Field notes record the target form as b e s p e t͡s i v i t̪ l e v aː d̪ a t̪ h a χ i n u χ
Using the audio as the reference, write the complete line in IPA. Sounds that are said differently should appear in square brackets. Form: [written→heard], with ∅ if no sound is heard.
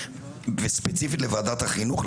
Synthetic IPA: [b→v] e s p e t͡s i [v→f] i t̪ l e v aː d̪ a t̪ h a χ i n u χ